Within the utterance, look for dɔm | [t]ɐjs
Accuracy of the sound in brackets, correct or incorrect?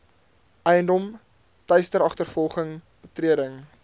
correct